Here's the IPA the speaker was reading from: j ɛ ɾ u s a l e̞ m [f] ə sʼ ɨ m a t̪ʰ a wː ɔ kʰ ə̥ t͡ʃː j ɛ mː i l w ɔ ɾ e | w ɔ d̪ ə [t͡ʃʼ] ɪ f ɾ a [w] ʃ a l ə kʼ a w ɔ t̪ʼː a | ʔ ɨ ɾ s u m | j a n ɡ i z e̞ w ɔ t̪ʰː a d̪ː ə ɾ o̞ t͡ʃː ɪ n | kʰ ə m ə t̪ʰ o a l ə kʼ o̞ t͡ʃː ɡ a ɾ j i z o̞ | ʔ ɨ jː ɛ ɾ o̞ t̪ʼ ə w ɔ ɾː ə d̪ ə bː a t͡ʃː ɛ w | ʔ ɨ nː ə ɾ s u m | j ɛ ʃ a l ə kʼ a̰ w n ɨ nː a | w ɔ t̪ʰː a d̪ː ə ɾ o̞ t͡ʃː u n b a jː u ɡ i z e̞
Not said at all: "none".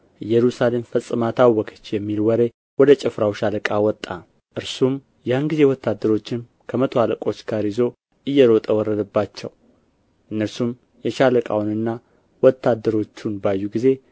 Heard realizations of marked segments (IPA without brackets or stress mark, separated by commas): f, t͡ʃʼ, w